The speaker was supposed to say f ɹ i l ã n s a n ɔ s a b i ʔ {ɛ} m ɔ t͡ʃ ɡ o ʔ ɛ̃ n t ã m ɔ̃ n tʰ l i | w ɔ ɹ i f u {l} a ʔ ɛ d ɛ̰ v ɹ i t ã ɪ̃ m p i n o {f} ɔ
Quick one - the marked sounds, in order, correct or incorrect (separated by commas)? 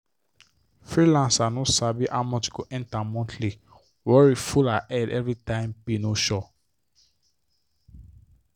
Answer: incorrect, correct, incorrect